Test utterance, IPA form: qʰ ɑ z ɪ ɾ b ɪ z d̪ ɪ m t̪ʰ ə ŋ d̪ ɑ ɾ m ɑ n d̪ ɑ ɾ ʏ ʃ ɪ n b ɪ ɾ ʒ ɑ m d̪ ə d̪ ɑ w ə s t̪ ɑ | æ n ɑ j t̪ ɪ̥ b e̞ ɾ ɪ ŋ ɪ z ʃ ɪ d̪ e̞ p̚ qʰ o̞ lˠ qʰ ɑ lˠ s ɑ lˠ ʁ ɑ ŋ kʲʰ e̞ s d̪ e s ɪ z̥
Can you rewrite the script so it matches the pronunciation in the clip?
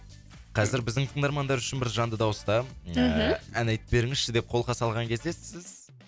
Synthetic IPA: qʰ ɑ z ɪ ɾ b ɪ z d̪ ɪ ŋ t̪ʰ ə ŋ d̪ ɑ ɾ m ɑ n d̪ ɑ ɾ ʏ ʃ ɪ n b ɪ ɾ ʒ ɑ n d̪ ə d̪ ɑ w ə s t̪ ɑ | æ n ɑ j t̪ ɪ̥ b e̞ ɾ ɪ ŋ ɪ z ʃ ɪ d̪ e̞ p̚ qʰ o̞ lˠ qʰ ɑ s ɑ lˠ ʁ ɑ ŋ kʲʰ e̞ z d̪ e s ɪ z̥